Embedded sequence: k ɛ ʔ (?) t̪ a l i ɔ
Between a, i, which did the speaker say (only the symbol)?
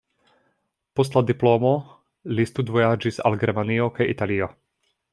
i